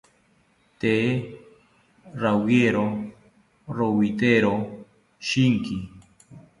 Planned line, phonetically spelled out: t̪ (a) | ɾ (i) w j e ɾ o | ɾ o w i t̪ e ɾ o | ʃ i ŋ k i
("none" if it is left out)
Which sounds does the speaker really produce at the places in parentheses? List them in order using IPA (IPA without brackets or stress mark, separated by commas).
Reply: e, a